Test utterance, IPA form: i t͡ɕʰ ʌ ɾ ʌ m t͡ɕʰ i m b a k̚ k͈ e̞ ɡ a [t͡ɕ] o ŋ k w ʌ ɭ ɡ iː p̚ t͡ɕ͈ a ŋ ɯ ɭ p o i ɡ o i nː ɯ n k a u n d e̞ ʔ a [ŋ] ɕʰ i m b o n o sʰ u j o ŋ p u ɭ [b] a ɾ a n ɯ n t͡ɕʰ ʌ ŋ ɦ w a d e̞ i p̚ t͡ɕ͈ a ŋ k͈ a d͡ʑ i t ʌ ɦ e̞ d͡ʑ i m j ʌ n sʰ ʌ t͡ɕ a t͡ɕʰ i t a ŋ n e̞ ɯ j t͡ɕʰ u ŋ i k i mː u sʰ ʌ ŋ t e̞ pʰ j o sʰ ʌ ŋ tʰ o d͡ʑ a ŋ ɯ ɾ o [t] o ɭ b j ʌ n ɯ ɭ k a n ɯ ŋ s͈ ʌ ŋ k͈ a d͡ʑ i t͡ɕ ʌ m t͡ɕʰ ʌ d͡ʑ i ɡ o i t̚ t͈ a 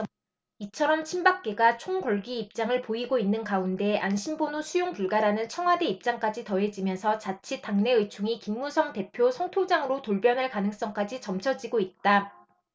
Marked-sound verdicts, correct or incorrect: incorrect: t͡ɕʰ, incorrect: n, incorrect: ɡ, correct

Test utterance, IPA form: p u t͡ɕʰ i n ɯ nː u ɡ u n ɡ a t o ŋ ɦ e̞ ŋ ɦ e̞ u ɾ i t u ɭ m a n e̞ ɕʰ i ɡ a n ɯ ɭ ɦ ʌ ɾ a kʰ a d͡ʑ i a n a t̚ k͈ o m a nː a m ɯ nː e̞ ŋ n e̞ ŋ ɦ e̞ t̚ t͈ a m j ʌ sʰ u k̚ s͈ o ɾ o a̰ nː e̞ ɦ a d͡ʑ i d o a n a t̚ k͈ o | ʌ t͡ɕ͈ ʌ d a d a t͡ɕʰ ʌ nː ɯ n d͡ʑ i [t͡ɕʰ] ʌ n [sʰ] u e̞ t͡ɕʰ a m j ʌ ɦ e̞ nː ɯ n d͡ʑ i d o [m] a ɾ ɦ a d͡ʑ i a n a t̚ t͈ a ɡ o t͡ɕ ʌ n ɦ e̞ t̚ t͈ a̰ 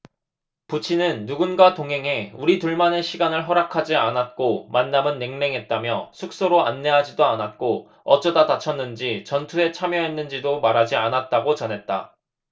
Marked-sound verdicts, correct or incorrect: incorrect: t͡ɕ, incorrect: tʰ, correct

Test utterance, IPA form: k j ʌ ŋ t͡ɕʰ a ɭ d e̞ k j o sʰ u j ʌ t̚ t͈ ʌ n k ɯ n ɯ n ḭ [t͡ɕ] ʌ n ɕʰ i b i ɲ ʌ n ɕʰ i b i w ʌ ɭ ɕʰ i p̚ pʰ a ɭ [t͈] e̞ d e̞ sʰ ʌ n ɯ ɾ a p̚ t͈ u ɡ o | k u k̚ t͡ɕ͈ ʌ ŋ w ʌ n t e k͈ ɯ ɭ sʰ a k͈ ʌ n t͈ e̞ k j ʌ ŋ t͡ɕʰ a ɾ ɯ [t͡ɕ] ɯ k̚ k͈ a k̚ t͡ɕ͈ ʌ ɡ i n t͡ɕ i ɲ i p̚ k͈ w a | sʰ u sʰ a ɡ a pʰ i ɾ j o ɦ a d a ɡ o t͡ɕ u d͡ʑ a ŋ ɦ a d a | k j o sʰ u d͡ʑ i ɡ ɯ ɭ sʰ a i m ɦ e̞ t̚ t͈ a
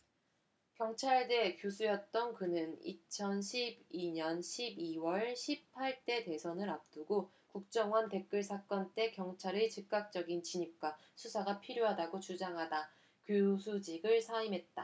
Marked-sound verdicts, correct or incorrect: incorrect: t͡ɕʰ, correct, correct

